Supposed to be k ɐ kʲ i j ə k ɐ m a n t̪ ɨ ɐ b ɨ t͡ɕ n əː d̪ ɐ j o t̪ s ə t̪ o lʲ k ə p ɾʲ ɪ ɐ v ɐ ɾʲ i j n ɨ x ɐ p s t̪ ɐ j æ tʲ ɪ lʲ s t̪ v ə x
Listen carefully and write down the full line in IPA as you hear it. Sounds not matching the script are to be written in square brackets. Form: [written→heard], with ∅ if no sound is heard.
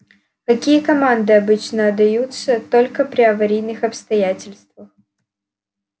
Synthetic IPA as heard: k ɐ kʲ i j ə k ɐ m a n [t̪→d̪] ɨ ɐ b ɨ t͡ɕ n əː d̪ ɐ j [o→u] t̪ s ə t̪ o lʲ k ə p ɾʲ ɪ ɐ v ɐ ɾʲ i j n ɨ x ɐ p s t̪ ɐ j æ tʲ ɪ lʲ s t̪ v ə x